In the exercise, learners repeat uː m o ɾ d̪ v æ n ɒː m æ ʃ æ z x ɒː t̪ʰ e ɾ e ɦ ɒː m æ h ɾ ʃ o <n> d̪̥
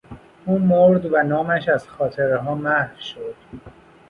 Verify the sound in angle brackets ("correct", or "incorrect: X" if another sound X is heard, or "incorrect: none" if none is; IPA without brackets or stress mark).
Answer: incorrect: none